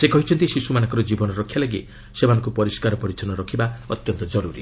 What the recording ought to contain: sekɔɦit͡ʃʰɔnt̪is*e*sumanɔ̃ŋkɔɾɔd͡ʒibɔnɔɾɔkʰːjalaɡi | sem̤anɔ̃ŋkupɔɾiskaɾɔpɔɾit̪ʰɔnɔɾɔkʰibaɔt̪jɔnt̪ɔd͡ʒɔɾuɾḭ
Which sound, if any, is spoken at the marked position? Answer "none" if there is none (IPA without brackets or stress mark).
i